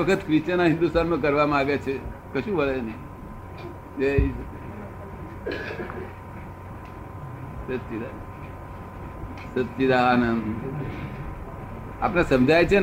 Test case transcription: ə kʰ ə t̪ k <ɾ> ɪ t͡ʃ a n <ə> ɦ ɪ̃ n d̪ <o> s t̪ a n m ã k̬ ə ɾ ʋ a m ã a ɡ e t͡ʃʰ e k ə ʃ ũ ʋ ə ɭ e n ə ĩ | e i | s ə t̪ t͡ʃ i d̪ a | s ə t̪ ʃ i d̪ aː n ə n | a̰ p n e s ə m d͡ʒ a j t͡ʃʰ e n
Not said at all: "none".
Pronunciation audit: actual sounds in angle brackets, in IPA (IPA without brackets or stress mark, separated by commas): ɾ, a, u